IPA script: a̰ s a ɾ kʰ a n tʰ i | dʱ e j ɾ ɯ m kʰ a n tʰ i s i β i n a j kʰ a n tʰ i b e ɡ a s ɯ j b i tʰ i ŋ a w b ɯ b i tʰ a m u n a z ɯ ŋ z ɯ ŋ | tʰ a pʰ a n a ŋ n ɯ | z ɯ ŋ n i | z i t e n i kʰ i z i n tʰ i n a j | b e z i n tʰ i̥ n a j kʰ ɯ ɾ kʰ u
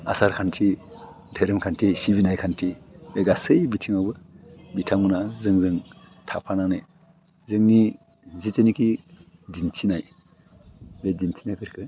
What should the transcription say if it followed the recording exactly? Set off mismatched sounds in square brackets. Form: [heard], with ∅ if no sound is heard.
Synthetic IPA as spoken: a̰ s a ɾ kʰ a n tʰ i | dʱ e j ɾ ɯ m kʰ a n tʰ i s i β i n a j kʰ a n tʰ i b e ɡ a s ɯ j b i tʰ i ŋ a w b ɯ b i tʰ a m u n a z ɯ ŋ z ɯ ŋ | tʰ a pʰ a n a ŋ n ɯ | z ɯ ŋ n i | z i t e n i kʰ i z i n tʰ i n a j | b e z i n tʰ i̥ n a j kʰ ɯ ɾ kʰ [ɯ]

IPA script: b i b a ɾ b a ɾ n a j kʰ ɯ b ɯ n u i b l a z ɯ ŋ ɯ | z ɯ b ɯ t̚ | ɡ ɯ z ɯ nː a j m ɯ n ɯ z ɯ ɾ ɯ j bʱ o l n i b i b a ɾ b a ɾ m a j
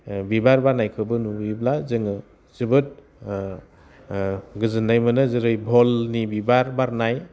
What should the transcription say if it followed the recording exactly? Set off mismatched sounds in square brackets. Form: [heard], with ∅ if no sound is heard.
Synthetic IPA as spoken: b i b a ɾ b a ɾ n a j kʰ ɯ b ɯ n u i b l a z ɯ ŋ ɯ | z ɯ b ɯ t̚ | ɡ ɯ z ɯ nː a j m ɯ n ɯ z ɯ ɾ ɯ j bʱ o l n i b i b a ɾ b a ɾ [n] a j

